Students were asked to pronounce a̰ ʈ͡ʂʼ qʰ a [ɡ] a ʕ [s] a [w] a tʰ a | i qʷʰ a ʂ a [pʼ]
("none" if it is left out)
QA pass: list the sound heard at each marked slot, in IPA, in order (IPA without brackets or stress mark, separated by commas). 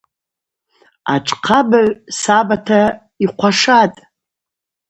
b, s, b, tʼ